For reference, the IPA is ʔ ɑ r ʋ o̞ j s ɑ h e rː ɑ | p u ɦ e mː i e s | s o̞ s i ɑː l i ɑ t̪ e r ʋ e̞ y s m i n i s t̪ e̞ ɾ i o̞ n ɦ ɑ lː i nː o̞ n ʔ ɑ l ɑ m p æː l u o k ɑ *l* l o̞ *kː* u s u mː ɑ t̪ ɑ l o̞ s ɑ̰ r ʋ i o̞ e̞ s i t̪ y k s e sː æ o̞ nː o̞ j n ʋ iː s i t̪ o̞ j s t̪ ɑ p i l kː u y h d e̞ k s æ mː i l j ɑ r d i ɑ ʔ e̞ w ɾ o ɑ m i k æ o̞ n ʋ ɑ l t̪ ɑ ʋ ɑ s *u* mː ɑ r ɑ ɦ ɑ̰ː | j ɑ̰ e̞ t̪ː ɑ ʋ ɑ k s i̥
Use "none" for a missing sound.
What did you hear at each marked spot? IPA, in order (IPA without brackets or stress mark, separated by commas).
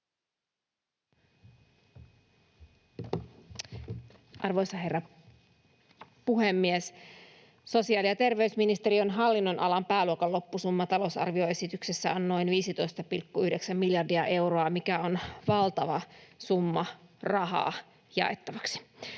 l, pː, u